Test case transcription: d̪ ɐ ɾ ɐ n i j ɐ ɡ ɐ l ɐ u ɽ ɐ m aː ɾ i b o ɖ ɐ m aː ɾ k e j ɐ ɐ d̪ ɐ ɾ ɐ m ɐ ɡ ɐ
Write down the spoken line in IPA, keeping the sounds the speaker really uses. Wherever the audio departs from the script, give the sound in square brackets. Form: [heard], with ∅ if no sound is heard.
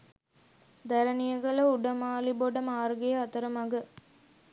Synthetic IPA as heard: d̪ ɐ ɾ ɐ n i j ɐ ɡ ɐ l ɐ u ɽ ɐ m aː [l] i b o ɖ ɐ m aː ɾ [ɡ] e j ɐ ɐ [t̪] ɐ ɾ ɐ m ɐ ɡ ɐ